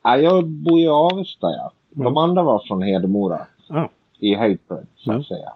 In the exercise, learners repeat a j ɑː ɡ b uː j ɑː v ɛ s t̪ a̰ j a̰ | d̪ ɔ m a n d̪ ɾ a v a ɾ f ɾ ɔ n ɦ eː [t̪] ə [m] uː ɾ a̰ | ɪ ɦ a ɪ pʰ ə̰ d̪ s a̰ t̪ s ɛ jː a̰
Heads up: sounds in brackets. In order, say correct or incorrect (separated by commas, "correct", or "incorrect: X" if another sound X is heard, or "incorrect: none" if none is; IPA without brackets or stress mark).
incorrect: d̪, correct